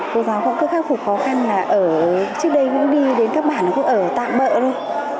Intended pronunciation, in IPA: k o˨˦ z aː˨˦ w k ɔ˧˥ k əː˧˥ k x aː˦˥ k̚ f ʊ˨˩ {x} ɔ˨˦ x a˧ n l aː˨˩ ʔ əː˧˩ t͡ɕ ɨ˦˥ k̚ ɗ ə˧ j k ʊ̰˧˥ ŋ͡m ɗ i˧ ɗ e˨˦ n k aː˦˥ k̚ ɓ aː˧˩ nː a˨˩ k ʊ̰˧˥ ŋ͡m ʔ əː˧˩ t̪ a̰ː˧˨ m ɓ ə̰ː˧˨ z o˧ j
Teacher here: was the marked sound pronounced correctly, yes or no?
yes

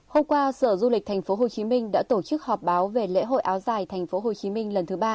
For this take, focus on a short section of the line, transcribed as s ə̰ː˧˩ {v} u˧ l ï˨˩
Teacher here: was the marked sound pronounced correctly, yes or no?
no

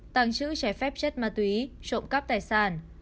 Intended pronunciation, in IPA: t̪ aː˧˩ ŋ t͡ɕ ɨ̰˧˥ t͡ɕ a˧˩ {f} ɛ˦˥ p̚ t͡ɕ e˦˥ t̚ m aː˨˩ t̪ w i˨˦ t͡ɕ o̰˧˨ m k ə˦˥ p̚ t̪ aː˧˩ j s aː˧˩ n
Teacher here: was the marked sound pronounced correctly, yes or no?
yes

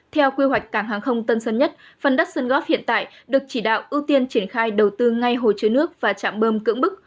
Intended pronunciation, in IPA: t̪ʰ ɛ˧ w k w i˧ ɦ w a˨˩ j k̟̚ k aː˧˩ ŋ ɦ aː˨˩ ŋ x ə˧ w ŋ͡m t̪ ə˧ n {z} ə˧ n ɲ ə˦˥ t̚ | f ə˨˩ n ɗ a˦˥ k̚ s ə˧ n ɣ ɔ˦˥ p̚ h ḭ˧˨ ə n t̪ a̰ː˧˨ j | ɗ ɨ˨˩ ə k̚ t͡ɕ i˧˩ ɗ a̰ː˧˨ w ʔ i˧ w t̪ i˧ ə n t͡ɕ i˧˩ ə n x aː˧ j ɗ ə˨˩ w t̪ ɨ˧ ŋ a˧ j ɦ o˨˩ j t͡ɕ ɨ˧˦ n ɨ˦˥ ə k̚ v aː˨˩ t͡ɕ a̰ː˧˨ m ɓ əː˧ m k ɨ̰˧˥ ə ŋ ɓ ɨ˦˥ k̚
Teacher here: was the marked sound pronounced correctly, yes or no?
no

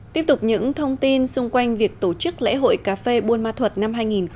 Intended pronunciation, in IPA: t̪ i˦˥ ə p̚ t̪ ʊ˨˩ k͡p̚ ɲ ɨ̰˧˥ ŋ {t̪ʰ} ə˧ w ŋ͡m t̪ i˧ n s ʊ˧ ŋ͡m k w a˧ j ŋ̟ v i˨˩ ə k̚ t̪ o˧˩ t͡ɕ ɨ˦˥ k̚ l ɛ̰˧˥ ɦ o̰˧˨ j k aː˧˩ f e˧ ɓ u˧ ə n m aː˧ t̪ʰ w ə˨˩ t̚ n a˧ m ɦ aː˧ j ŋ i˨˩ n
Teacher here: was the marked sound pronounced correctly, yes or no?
yes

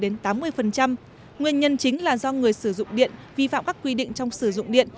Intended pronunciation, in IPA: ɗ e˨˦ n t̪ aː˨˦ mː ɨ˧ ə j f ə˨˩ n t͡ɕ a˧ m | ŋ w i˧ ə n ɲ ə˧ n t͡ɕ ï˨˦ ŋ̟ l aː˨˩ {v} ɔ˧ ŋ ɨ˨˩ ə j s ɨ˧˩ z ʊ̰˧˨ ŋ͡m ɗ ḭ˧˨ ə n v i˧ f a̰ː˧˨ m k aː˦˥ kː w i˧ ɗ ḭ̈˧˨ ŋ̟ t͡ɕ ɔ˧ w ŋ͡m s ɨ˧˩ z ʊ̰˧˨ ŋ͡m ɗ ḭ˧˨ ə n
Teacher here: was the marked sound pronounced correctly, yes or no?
no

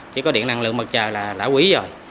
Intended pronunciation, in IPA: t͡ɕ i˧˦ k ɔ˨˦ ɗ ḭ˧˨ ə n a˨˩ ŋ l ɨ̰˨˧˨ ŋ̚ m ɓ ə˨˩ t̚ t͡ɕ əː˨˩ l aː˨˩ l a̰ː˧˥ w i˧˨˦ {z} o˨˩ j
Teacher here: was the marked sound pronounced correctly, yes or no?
yes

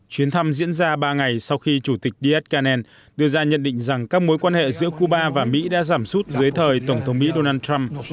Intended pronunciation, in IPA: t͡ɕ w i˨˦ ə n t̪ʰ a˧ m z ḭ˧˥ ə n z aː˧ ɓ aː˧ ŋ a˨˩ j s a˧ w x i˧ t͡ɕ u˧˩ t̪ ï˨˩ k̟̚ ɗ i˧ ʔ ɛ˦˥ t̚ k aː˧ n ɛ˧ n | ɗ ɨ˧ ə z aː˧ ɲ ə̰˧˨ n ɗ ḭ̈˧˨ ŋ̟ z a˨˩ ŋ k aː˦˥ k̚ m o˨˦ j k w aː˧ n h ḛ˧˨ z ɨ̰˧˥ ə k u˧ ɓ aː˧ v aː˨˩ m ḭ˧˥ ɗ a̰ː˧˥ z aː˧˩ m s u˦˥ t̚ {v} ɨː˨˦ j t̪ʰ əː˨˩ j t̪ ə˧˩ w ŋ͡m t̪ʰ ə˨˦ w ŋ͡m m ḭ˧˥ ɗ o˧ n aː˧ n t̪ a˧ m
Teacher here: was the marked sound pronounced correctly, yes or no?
no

